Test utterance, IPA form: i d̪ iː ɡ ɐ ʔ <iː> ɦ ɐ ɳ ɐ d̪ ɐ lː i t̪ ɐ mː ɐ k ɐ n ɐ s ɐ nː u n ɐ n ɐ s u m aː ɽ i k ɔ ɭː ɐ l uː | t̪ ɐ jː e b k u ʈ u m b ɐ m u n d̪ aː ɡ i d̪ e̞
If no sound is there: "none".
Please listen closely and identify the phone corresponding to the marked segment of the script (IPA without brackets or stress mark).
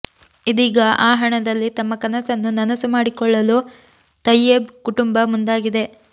aː